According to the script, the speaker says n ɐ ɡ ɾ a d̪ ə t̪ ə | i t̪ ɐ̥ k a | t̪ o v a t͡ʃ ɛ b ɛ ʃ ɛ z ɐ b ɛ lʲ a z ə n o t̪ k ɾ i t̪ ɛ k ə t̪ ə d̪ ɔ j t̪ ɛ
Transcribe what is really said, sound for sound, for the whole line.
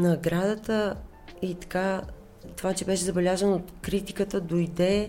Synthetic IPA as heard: n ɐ ɡ ɾ a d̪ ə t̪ ə | i t̪ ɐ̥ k a | t̪ o v a t͡ʃ ɛ b ɛ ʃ ɛ z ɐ b ɛ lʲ a z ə n o t̪ k ɾ i t̪ i k ə t̪ ə d̪ o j d̪ ɛ